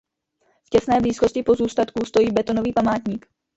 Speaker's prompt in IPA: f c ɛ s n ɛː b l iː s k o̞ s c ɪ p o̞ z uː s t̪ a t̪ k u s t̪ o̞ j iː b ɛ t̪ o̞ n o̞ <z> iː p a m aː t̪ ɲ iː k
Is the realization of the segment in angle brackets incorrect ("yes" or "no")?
yes